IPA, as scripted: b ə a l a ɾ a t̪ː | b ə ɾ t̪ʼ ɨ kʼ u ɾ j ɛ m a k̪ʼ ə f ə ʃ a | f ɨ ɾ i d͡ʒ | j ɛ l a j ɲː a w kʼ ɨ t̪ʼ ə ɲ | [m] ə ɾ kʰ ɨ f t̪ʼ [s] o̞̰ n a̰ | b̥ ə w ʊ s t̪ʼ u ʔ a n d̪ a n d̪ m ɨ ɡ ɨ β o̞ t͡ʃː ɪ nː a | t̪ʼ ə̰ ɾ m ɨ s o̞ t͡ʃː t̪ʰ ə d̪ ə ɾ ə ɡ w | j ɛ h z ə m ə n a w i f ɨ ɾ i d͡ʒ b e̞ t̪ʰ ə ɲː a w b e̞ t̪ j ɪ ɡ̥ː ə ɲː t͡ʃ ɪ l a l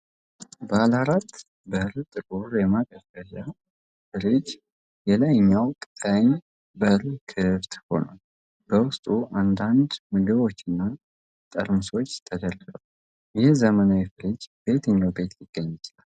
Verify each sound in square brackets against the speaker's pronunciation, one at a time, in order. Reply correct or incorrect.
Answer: incorrect, incorrect

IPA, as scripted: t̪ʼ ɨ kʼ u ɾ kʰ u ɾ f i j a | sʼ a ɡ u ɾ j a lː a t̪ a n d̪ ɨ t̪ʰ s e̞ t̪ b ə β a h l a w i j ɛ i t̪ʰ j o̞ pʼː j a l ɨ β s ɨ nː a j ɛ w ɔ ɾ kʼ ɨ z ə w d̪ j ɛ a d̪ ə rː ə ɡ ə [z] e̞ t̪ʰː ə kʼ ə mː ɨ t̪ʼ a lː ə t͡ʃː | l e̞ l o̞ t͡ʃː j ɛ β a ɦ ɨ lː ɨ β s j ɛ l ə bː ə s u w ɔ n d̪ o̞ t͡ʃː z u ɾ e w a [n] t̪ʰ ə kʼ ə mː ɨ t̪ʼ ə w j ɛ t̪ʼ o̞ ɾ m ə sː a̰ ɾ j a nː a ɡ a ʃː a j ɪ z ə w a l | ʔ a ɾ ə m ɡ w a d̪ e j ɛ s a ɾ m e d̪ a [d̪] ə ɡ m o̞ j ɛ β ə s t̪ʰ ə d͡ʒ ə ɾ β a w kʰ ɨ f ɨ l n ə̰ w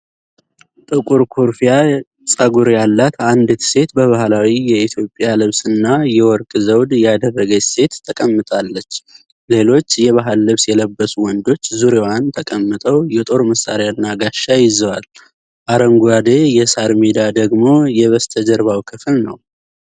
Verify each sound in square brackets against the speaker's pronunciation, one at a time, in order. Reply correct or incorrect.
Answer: incorrect, correct, correct

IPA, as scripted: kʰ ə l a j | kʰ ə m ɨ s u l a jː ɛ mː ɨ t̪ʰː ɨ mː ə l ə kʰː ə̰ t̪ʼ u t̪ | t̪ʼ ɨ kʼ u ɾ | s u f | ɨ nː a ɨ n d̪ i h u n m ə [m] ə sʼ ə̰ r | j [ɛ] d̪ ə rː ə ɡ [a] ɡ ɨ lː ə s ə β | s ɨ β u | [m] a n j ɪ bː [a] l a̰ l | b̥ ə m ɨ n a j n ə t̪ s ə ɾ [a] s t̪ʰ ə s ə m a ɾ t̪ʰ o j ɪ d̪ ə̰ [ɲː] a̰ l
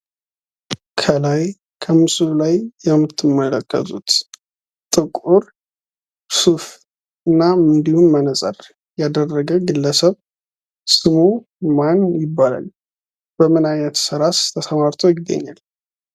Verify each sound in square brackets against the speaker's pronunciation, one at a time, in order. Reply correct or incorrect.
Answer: incorrect, incorrect, incorrect, correct, correct, correct, correct

